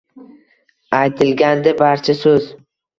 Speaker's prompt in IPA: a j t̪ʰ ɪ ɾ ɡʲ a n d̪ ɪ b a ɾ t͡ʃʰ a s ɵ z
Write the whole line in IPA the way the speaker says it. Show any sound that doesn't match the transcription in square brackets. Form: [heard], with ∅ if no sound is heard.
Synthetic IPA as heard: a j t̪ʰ ɪ [l] ɡʲ a n d̪ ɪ b a ɾ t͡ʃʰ a s ɵ z